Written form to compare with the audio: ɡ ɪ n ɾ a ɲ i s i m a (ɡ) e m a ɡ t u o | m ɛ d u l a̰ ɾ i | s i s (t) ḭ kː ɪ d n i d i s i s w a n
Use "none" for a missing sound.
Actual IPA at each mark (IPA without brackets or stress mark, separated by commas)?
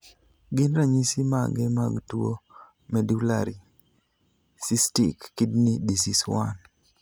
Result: ɡ, t